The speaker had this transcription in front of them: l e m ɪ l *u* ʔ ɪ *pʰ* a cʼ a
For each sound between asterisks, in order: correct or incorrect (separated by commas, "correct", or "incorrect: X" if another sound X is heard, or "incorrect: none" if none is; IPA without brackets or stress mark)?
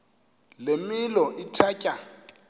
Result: incorrect: ɔ, incorrect: tʰ